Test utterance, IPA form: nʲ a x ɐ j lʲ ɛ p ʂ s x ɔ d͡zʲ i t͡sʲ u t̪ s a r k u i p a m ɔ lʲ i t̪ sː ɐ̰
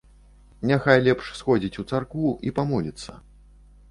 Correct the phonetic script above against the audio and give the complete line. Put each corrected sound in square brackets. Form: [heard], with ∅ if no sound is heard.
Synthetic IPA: nʲ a x [a] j lʲ ɛ p ʂ s x ɔ d͡zʲ i t͡sʲ u t̪ s a r k u i p a m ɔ lʲ i t̪ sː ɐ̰